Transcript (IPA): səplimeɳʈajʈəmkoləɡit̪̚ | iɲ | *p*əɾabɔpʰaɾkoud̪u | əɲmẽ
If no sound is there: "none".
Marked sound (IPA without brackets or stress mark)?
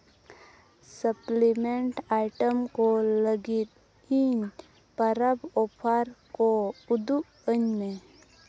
p